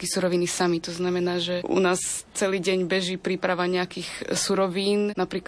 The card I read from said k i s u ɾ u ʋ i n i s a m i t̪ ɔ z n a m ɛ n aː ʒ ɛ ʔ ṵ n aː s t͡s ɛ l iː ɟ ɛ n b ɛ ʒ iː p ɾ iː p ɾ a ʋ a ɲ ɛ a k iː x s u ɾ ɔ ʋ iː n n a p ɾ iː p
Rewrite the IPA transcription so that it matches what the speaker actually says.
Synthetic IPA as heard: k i s u ɾ ɔ ʋ i n i s a m i t̪ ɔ z n a m ɛ n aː ʒ ɛ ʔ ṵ n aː s t͡s ɛ l iː ɟ ɛ ɲ b ɛ ʒ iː p ɾ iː p ɾ a ʋ a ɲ ɛ a k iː x s u ɾ ɔ ʋ iː n n a p ɾ iː k